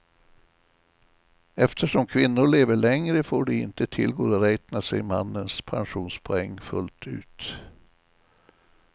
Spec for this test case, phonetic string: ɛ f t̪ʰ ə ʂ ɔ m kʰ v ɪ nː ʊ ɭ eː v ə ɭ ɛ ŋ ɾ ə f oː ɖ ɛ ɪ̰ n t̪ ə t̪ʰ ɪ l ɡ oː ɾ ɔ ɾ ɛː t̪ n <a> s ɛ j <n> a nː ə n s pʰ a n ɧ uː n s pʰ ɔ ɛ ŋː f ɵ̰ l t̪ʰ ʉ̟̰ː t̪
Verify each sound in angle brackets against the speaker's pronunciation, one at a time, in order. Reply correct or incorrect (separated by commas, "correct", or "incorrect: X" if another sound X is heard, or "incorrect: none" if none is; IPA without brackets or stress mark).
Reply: correct, incorrect: m